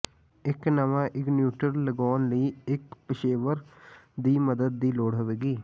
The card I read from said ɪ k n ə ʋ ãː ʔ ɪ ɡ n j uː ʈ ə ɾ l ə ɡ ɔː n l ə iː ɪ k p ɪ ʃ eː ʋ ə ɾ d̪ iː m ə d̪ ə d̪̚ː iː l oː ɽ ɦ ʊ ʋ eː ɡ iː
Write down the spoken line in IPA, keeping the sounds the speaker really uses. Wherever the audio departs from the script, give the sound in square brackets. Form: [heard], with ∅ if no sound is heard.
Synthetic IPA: ɪ k n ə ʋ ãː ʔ ɪ [k] n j uː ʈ ə ɾ l ə ɡ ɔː n l ə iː ɪ k p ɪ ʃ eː ʋ ə ɾ d̪ iː m ə d̪ ə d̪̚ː iː l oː ɽ ɦ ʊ ʋ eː ɡ iː